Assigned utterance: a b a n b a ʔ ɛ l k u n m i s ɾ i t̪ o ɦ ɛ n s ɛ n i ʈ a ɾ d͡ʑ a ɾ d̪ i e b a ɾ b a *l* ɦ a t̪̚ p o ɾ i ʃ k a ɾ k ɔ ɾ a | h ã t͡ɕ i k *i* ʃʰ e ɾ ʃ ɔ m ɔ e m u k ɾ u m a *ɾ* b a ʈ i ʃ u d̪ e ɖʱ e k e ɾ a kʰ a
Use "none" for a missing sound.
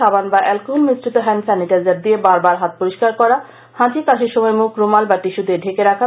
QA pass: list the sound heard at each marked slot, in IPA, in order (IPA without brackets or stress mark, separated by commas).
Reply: ɾ, a, l